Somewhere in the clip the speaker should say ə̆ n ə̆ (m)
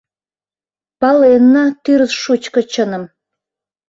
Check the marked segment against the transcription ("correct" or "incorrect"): correct